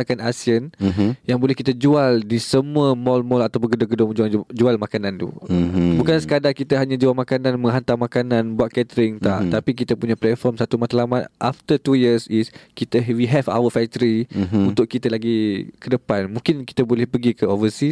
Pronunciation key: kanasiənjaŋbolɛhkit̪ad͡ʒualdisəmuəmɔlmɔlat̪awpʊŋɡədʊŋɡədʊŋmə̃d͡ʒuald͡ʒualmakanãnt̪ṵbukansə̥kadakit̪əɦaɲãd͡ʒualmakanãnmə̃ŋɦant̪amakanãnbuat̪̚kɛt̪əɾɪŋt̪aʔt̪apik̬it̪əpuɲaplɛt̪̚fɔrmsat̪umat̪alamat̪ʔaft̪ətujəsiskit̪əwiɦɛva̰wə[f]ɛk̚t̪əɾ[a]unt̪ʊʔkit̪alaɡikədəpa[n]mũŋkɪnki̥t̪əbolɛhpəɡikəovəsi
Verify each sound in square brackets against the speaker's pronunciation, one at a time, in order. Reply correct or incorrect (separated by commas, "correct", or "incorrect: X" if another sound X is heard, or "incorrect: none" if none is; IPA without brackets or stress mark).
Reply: correct, incorrect: i, correct